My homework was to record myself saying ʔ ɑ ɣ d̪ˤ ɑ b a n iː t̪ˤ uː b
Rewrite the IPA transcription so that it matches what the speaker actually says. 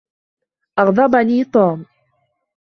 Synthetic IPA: ʔ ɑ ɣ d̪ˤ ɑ b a n iː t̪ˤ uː m